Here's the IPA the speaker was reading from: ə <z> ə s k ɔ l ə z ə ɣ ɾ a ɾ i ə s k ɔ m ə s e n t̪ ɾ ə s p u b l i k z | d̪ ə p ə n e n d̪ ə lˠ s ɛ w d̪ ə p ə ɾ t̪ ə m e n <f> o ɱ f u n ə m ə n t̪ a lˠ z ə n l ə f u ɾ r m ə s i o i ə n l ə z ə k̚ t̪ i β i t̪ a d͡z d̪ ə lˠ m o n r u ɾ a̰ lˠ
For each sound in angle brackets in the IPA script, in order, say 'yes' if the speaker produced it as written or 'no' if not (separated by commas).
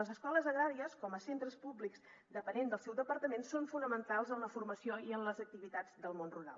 yes, no